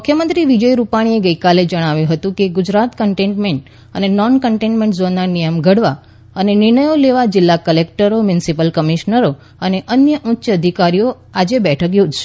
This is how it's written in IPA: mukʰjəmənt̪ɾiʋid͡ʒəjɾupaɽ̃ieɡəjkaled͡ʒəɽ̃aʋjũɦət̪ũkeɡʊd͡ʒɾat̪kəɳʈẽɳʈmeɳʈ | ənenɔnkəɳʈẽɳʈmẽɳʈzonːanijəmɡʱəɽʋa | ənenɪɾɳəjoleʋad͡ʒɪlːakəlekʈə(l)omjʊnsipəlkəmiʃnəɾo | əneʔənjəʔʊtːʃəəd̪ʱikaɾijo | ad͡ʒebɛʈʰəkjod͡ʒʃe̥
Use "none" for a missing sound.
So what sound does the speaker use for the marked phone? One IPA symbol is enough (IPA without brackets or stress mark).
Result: ɾ